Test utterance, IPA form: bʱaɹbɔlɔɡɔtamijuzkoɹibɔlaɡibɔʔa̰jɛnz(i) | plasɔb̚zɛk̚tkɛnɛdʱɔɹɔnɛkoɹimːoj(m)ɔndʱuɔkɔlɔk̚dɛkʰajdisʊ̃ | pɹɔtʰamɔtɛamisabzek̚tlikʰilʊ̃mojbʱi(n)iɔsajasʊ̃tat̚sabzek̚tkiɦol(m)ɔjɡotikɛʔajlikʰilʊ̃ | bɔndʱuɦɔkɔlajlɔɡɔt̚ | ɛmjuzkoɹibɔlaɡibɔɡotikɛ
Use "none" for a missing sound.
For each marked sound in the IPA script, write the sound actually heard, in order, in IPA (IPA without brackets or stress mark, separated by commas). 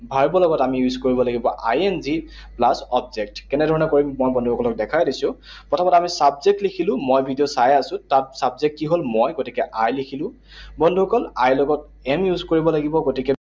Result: i, b, d, m